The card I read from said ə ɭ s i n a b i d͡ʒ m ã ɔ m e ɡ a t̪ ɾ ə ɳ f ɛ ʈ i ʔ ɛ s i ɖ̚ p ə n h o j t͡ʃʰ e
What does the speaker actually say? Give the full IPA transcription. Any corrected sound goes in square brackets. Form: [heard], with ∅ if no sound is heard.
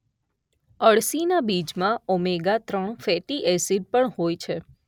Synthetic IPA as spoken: ə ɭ s i n a b i d͡ʒ m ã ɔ m e ɡ a t̪ ɾ ə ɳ f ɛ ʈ i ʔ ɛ s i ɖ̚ p ə [ɳ] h o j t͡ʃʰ e

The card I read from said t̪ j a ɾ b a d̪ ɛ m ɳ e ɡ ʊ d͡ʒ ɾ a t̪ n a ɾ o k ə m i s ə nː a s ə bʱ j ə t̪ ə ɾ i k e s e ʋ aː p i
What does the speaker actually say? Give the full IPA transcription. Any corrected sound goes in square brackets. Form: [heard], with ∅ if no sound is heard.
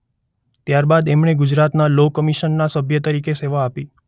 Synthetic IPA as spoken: t̪ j a ɾ b a d̪ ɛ m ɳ e ɡ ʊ d͡ʒ ɾ a t̪ n a [l] o k ə m i [ʃ] ə nː a s ə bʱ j ə t̪ ə ɾ i k e s e ʋ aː p i

